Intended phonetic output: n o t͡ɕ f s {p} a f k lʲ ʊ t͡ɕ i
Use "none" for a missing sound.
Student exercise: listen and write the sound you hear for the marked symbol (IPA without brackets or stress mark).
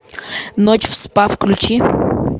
p